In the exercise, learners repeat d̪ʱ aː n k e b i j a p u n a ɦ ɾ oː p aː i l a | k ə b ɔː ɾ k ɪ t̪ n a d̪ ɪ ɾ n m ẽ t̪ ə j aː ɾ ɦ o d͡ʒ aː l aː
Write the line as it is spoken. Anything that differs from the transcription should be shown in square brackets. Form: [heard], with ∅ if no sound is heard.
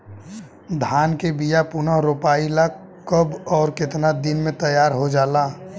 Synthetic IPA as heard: d̪ʱ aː n k e b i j a p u n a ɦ ɾ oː p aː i l a | k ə b ɔː ɾ k ɪ t̪ n a d̪ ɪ [∅] n m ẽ t̪ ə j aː ɾ ɦ o d͡ʒ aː l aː